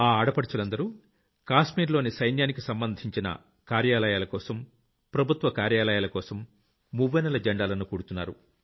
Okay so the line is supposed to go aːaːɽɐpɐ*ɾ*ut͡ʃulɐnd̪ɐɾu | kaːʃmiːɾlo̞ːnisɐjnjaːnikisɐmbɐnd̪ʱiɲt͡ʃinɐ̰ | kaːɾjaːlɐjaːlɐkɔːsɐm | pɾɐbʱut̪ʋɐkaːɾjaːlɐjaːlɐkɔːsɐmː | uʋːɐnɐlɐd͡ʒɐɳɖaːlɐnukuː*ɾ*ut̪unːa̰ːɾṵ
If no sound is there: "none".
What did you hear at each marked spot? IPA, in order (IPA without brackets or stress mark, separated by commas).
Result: ɽ, ɽ